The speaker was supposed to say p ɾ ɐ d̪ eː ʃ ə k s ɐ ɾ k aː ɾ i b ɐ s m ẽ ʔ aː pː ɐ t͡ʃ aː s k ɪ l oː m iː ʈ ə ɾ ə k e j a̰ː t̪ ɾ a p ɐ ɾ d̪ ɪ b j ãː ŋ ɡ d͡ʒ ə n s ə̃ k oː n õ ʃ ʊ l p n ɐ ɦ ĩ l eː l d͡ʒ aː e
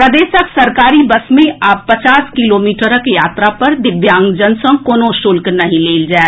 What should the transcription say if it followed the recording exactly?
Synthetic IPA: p ɾ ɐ d̪ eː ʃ ə k s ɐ ɾ k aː ɾ i b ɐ s m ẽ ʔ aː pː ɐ t͡ʃ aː s k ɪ l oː m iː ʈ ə ɾ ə k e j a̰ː t̪ ɾ a p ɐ ɾ d̪ ɪ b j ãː ŋ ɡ d͡ʒ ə n s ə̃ k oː n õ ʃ ʊ l k n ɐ ɦ ĩ l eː l d͡ʒ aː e